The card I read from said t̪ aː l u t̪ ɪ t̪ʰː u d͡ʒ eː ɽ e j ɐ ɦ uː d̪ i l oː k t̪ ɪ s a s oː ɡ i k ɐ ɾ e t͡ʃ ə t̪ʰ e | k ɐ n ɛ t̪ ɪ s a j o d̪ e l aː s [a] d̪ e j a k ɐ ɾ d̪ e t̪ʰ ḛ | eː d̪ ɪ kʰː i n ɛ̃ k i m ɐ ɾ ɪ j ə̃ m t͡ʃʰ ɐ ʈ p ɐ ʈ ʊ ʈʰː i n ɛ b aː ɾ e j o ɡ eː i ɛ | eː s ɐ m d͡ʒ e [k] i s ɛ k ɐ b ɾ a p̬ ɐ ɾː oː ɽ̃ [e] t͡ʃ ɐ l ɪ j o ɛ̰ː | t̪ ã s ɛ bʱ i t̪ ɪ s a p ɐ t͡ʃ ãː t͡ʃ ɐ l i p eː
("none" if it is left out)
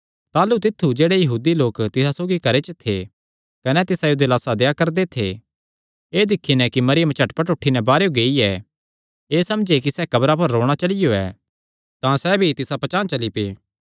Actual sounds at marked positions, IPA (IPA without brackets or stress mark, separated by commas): a, k, a